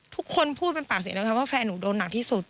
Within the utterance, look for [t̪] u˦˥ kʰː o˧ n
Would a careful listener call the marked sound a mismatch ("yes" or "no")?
yes